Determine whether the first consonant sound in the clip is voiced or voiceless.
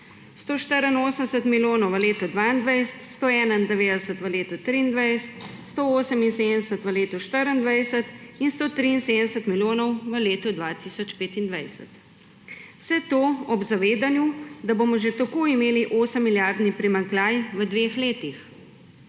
voiceless